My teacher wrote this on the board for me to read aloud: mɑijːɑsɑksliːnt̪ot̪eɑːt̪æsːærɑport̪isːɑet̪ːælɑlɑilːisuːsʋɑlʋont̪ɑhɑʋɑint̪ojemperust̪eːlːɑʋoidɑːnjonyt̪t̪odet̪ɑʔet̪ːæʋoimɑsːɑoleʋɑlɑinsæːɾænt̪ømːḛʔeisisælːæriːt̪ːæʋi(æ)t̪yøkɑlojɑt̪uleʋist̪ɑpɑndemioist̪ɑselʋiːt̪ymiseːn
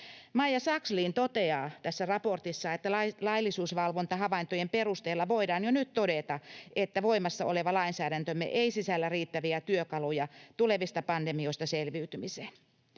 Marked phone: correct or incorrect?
correct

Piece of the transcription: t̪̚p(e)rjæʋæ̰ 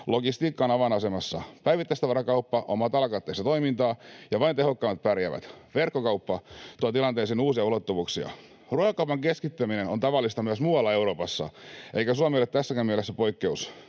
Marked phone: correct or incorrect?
incorrect: æ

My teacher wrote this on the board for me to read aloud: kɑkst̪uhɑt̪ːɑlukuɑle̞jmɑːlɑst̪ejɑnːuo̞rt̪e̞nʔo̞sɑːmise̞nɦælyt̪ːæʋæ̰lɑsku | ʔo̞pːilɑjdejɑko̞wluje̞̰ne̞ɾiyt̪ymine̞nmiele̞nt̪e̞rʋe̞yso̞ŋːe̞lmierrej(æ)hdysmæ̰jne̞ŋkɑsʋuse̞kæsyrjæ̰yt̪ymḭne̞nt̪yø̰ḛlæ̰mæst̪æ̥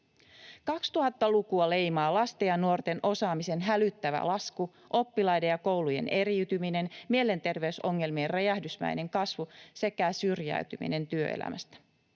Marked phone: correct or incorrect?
correct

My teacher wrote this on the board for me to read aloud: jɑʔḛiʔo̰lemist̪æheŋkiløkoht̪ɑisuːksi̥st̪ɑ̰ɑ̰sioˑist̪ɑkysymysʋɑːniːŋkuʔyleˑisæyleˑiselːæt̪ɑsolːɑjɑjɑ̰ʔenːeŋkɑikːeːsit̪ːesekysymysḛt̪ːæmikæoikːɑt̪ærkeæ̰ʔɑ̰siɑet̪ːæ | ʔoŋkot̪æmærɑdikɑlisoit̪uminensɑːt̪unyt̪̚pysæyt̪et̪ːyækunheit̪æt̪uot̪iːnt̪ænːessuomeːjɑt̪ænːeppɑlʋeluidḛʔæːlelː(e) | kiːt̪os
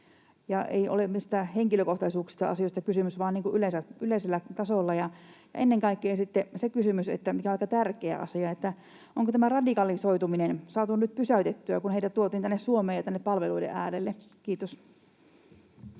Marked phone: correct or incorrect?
correct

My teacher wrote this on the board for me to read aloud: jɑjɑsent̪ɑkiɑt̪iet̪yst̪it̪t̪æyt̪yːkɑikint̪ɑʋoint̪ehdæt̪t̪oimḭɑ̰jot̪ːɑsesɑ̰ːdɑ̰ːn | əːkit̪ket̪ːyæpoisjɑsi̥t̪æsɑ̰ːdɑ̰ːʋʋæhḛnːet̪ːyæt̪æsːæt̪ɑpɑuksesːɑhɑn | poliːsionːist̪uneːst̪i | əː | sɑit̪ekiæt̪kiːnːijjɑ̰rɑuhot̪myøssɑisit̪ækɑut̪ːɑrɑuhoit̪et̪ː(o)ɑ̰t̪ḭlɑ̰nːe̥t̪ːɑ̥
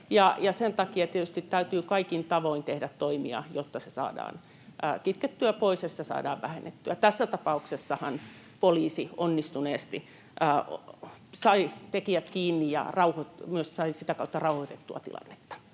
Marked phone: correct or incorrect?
incorrect: u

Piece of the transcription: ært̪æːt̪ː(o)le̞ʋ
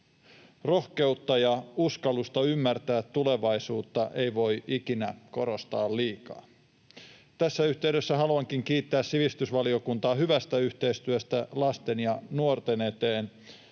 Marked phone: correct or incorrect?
incorrect: u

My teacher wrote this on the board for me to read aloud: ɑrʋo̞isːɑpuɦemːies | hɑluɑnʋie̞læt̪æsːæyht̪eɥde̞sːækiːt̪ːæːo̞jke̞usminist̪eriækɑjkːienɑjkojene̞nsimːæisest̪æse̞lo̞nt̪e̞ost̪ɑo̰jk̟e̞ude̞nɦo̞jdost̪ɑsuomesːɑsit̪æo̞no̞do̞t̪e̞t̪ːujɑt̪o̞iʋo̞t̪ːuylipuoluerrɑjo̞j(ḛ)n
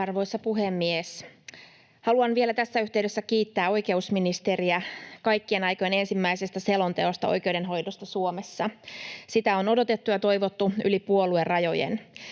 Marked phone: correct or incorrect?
correct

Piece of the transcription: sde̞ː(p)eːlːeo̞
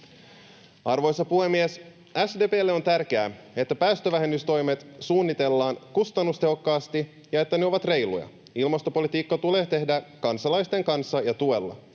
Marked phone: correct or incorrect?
correct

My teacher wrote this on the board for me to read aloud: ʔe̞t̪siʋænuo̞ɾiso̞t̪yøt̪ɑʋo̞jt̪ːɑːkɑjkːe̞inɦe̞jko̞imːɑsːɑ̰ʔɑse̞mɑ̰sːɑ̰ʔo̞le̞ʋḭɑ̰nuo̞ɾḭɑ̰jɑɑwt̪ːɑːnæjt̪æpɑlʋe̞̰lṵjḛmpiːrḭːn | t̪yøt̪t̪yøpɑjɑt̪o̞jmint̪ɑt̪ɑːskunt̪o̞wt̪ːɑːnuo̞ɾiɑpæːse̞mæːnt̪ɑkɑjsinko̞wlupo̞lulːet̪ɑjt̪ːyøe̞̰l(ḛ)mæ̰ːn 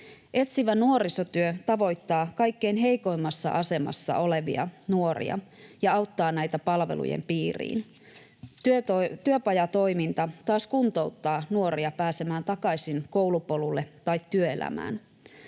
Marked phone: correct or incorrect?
incorrect: æ̰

